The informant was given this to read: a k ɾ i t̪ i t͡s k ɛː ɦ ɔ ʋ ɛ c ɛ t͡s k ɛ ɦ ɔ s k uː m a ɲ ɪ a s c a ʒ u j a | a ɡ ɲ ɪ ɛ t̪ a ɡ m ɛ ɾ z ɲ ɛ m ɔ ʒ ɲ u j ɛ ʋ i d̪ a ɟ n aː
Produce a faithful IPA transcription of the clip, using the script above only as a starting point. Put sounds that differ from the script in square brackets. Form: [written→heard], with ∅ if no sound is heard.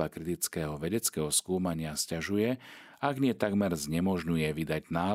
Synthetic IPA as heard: a k ɾ i t̪ i t͡s k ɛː ɦ ɔ ʋ ɛ [c→ɟ] ɛ t͡s k ɛ ɦ ɔ s k uː m a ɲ ɪ a s c a ʒ u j [a→ɛ] | a ɡ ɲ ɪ ɛ t̪ a ɡ m ɛ ɾ z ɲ ɛ m ɔ ʒ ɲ u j ɛ ʋ i d̪ a ɟ n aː